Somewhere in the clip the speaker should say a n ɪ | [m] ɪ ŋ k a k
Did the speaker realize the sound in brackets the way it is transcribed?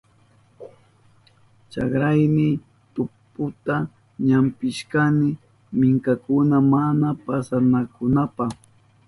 yes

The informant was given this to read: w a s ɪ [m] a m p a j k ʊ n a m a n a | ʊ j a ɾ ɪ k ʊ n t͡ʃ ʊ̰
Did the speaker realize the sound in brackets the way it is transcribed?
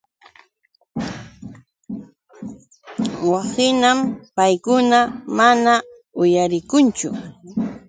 no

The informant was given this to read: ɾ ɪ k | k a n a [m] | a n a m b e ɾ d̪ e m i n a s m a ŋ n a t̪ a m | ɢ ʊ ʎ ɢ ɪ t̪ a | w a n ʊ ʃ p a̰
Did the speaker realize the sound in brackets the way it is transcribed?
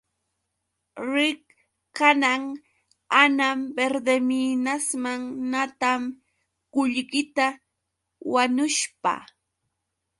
no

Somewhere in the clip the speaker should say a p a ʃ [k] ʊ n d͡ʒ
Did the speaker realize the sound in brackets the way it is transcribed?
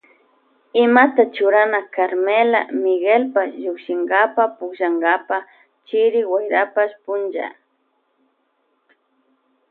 no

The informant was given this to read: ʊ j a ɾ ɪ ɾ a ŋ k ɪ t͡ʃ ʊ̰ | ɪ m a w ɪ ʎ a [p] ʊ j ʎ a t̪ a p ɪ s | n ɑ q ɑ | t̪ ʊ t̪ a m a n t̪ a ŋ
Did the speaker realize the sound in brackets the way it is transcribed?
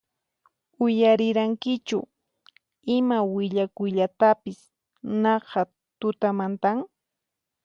no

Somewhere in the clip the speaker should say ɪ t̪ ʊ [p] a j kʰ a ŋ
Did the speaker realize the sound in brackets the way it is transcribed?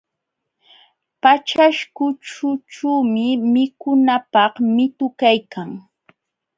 no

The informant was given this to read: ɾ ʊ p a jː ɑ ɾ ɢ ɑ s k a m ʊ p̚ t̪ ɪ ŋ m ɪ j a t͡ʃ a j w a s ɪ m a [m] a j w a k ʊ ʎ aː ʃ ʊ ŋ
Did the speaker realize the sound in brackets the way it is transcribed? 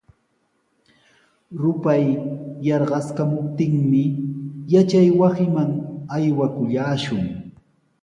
no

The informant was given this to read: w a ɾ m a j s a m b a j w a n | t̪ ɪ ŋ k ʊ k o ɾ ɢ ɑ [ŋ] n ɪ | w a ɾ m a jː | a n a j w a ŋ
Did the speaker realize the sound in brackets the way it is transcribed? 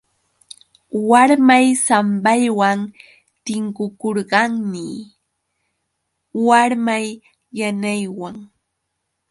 yes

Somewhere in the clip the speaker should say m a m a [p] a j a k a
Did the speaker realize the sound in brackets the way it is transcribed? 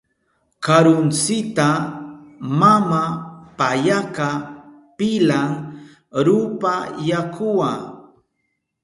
yes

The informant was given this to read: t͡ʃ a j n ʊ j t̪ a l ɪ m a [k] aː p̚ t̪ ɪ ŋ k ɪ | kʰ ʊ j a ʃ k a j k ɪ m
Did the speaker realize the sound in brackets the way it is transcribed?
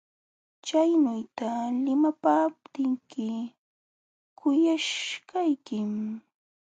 no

